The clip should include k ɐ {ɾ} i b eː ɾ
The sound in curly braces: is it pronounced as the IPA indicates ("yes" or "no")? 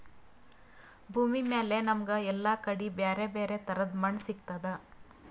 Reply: no